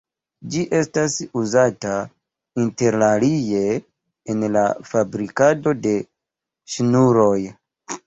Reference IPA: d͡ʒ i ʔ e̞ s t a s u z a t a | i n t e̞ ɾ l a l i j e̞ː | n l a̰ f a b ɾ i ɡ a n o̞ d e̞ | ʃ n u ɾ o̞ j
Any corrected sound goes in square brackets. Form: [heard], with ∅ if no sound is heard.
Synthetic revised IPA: d͡ʒ i ʔ e̞ s t a s u z a t a | i n t e̞ ɾ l a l i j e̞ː | n l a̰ f a b ɾ i [k] a [d] o̞ d e̞ | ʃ n u ɾ o̞ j